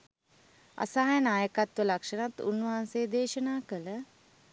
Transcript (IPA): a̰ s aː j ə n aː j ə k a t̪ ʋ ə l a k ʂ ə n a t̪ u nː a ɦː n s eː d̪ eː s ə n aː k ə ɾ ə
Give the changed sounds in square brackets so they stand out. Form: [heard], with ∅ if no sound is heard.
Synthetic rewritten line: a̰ s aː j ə n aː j ə k a t̪ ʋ ə l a k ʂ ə n a t̪ u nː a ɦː n s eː d̪ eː [ʃ] ə n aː k ə [l] ə

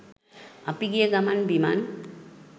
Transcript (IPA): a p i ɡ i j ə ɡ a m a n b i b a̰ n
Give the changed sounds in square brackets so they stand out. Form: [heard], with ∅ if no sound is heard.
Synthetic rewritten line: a p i ɡ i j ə ɡ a m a n b i [m] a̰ n

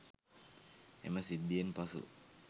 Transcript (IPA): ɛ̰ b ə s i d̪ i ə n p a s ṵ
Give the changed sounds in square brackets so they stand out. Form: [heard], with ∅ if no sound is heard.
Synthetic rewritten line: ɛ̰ [m] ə s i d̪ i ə n p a s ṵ

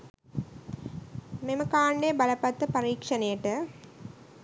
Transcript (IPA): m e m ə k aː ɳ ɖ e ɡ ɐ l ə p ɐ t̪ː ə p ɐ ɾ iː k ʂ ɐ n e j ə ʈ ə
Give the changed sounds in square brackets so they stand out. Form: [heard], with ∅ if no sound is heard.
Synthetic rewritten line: m e m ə k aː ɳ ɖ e [b] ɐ l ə p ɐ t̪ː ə p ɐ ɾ iː k ʂ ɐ n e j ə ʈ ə

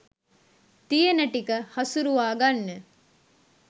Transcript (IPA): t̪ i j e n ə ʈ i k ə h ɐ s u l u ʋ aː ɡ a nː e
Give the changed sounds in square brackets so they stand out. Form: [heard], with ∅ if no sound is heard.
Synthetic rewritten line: t̪ i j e n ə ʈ i k ə h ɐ s u [ɾ] u ʋ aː ɡ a nː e

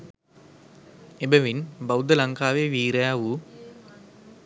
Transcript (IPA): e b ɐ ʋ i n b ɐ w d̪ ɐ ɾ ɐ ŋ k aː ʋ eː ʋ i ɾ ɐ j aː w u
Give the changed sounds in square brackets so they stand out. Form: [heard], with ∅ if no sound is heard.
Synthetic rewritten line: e b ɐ ʋ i n b ɐ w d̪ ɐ [l] ɐ ŋ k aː ʋ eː ʋ [iː] ɾ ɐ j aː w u

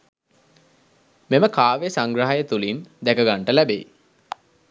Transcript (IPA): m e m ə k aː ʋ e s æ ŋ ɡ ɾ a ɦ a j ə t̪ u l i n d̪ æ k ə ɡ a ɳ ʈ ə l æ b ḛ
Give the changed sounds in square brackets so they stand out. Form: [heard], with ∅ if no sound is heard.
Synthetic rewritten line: m e m ə k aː ʋ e s [a] ŋ ɡ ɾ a ɦ a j ə t̪ u l i n d̪ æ k ə ɡ a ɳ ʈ ə l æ b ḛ

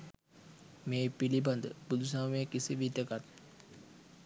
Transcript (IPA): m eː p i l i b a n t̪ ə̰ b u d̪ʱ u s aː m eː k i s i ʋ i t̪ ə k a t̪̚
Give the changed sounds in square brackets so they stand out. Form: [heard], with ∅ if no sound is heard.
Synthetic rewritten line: m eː p i l i b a n [d̪] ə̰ b u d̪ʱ u s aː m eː k i s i ʋ i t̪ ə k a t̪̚

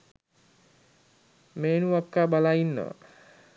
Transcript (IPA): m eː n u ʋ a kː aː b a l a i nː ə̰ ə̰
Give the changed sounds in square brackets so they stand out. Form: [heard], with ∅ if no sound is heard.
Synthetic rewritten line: m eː n u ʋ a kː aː b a l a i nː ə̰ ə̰

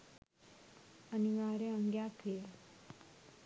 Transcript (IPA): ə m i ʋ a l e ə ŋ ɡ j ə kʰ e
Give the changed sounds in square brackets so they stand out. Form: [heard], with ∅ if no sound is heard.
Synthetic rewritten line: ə [n] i ʋ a [ɾ] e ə ŋ ɡ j [a] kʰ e

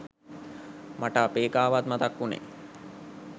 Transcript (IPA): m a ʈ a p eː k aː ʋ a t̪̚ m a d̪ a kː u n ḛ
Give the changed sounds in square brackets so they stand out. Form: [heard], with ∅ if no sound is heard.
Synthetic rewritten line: m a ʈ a p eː k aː ʋ a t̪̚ m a [t̪] a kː u n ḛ

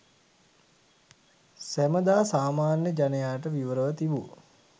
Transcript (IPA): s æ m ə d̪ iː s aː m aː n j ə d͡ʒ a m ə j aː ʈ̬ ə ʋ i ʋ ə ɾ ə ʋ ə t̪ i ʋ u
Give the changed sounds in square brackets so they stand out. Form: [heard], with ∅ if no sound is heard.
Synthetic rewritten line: s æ m ə d̪ [aː] s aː m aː n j ə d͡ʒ a [n] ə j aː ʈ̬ ə ʋ i ʋ ə ɾ ə ʋ ə t̪ i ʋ u

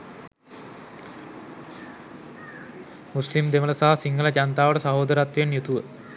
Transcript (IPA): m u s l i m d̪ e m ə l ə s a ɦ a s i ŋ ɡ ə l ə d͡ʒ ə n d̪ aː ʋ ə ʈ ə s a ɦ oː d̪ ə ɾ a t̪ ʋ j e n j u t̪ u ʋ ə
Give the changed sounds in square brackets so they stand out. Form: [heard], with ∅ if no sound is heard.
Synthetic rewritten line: m u s l i m d̪ e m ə l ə s a ɦ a s i ŋ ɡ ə l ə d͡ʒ [a] n [t̪] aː ʋ ə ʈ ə s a ɦ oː d̪ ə ɾ a t̪ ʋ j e n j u t̪ u ʋ ə

